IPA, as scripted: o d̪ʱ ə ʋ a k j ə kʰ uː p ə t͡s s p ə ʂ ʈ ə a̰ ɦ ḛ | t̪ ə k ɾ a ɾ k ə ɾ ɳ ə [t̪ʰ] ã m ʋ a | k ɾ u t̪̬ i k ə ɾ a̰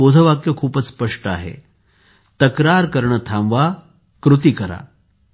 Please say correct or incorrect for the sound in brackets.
correct